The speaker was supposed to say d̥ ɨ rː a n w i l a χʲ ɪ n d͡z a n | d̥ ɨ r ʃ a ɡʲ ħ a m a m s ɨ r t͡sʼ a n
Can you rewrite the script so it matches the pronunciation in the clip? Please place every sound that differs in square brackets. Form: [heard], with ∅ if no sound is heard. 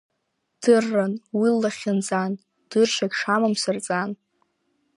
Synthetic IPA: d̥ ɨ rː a n w i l a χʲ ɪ n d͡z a n | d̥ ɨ r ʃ a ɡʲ [ʂ] a m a m s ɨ r t͡sʼ a n